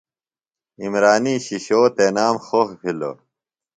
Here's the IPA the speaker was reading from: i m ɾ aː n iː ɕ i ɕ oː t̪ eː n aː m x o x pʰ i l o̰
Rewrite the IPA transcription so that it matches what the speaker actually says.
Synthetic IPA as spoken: i m ɾ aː n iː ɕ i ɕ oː t̪ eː n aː m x o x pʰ i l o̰